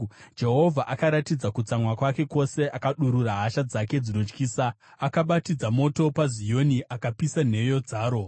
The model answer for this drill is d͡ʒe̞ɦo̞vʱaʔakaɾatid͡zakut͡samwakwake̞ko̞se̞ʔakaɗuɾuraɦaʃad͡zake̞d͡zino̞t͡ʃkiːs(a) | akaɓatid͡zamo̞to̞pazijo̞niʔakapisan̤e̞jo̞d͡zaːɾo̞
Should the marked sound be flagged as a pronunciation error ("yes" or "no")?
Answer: no